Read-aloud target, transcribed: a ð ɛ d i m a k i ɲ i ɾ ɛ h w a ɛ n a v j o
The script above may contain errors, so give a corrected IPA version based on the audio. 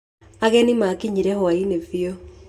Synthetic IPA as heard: a ɣ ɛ n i m a k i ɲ i ɾ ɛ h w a i n e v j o